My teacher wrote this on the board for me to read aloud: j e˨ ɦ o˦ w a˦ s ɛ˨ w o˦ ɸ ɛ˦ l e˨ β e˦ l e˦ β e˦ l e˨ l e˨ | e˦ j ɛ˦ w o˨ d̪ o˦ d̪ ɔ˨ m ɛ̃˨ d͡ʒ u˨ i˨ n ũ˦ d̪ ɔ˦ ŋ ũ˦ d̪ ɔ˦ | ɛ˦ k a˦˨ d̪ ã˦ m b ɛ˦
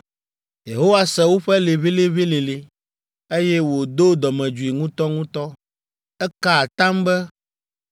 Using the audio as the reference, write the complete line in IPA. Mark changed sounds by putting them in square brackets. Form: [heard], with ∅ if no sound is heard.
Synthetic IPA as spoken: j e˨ ɦ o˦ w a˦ s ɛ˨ w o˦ ɸ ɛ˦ l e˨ β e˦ l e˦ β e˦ l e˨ l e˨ | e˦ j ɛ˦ w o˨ d̪ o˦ d̪ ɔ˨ m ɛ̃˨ d͡ʒ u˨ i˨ [ŋ] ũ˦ [t̪] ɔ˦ ŋ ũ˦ [t̪] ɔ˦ | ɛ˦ k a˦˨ [t̪] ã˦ m b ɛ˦